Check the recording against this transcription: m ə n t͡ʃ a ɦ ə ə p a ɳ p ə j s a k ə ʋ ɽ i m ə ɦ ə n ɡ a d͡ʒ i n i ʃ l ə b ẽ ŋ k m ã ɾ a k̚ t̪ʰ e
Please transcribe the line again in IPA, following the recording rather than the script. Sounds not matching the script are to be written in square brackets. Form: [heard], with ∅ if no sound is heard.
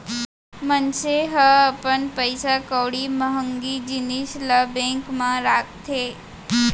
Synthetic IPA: m ə n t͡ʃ [e] ɦ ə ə p [ə] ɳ p ə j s a k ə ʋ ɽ i m ə ɦ ə [ŋ] ɡ [i] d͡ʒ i n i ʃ l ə b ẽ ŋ k m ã ɾ a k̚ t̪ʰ e